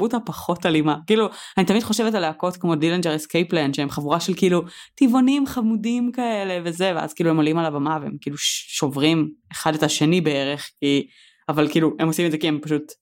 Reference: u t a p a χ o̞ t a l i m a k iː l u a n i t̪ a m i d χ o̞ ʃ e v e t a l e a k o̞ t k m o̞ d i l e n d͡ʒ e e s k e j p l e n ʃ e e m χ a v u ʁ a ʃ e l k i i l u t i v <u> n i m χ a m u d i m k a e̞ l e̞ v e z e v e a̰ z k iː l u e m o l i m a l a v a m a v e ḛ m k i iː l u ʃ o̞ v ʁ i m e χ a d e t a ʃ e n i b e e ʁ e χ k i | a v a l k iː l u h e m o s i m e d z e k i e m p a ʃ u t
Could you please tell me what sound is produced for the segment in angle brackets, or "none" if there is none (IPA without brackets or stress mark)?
o